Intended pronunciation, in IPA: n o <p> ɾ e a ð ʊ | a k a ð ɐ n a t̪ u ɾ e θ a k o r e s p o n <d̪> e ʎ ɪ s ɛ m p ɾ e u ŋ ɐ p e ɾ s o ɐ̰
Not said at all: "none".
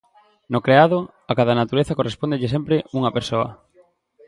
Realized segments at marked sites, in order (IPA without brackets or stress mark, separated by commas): k, d̪